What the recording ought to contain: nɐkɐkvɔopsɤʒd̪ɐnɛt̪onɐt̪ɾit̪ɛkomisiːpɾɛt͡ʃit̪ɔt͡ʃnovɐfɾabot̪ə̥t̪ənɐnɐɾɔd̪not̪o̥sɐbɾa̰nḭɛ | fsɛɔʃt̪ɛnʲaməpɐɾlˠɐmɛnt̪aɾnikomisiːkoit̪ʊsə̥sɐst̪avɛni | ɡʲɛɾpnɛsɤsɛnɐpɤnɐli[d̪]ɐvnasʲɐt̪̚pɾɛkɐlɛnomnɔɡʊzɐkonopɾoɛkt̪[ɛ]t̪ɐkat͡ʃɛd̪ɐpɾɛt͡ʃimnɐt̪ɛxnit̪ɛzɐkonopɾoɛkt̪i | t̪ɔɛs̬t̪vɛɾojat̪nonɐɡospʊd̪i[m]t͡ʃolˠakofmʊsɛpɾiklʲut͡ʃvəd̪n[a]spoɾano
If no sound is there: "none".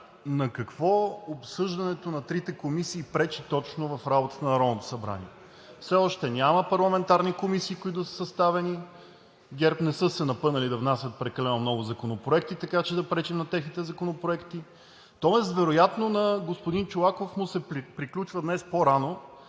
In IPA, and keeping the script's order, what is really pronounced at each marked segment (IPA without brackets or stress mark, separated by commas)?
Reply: d̪, i, n, ɛ